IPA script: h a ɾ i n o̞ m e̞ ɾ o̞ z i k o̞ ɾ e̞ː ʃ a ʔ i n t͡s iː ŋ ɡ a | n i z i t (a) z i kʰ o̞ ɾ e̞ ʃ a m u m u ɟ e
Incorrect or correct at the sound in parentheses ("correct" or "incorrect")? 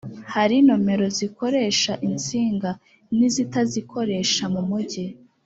correct